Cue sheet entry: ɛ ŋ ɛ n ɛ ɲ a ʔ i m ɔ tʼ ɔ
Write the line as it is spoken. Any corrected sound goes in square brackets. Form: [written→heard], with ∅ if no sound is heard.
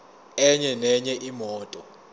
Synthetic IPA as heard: ɛ [ŋ→ɲ] ɛ n ɛ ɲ [a→ɛ] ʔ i m [ɔ→ɔː] tʼ ɔ